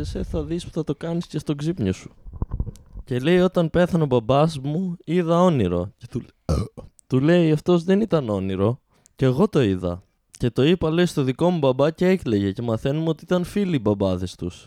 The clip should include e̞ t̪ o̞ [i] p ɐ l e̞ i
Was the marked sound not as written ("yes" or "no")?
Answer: no